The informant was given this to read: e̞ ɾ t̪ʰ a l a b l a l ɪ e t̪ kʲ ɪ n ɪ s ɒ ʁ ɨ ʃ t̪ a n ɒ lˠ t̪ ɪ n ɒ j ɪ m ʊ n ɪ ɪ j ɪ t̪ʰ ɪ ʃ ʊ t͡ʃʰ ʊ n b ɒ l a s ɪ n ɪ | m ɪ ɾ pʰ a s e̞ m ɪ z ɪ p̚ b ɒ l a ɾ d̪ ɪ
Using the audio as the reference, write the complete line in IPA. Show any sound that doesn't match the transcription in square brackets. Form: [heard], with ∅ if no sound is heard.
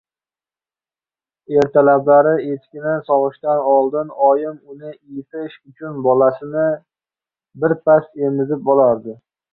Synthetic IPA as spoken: e̞ ɾ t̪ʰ a l a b l a [ɾ] ɪ e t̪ kʲ ɪ n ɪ s ɒ ʁ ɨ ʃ t̪ a n ɒ lˠ [d̪] ɪ n ɒ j ɪ m ʊ n ɪ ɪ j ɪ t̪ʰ ɪ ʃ ʊ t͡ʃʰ ʊ n b ɒ l a s ɪ n ɪ | [b] ɪ ɾ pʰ a s e̞ m ɪ z ɪ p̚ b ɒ l a ɾ d̪ ɪ